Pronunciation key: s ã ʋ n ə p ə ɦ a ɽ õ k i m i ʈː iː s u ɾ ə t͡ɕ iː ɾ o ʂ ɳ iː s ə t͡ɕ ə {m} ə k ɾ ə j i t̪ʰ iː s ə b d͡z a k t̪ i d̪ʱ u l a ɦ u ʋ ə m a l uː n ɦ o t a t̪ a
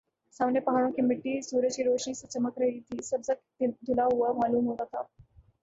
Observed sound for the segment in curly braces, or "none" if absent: m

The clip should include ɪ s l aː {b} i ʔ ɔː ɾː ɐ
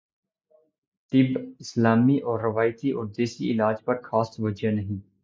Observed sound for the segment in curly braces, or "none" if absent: m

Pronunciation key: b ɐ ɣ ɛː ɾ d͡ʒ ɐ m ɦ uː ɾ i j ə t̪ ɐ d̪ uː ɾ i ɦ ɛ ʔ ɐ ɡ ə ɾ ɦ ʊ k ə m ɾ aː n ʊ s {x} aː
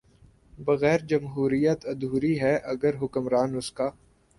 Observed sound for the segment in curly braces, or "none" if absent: k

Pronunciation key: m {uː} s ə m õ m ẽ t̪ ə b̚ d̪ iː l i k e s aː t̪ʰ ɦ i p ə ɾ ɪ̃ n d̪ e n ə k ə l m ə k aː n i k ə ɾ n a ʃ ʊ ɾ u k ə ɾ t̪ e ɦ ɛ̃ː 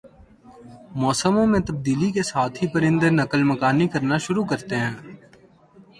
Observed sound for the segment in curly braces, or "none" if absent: ɔː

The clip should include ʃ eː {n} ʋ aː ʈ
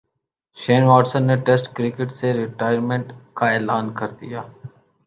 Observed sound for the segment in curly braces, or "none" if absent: n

